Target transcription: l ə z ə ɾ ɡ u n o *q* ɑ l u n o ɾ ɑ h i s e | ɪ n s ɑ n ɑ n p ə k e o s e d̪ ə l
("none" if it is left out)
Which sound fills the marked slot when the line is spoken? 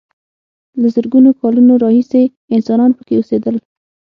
k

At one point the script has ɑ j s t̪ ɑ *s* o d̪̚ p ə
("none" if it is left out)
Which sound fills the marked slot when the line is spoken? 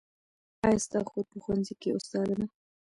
x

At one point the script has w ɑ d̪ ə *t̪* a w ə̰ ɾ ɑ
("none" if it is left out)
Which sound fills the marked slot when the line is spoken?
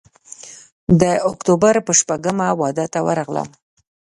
t̪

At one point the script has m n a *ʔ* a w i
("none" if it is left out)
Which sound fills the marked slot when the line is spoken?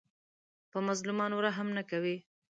k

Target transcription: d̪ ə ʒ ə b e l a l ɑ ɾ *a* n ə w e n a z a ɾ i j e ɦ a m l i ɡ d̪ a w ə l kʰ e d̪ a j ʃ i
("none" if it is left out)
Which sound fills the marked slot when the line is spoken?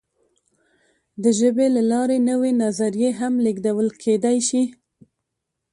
e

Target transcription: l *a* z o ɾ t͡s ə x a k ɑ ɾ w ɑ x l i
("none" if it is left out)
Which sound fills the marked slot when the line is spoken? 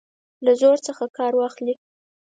a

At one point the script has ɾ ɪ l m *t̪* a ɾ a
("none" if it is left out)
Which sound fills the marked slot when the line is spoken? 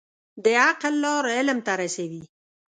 t̪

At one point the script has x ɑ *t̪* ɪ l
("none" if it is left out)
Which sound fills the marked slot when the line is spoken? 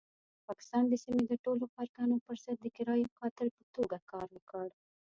t̪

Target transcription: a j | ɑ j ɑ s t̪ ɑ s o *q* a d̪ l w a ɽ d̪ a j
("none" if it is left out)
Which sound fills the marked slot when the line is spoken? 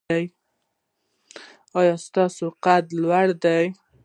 q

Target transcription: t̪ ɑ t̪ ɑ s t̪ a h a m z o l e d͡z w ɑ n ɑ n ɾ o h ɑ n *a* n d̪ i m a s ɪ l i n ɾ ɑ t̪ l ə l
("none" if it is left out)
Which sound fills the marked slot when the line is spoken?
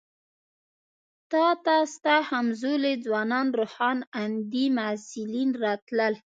a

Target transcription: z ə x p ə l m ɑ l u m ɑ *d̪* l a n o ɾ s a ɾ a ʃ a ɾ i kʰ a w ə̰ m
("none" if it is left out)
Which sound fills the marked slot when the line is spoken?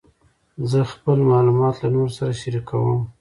t̪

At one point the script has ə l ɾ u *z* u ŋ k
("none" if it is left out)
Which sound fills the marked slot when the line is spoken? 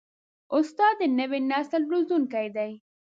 z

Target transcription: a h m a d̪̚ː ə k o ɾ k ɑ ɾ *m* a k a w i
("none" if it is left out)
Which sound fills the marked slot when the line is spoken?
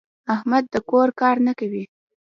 n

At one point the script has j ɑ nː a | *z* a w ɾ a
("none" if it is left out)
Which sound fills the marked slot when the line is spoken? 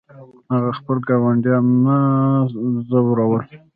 z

